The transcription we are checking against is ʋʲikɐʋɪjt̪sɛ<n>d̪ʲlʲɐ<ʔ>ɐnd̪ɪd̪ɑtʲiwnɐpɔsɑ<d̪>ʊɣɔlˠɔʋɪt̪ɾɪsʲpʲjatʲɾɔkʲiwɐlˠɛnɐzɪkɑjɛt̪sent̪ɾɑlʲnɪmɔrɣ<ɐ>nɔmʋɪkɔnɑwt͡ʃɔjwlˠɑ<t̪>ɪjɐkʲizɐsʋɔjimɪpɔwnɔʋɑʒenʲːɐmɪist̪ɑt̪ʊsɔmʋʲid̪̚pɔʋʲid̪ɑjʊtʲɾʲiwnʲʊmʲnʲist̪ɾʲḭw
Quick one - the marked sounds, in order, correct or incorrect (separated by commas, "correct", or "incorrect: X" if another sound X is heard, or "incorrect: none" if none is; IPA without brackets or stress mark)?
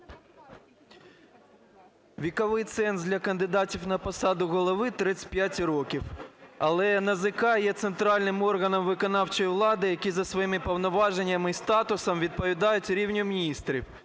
correct, incorrect: k, correct, correct, incorrect: d̪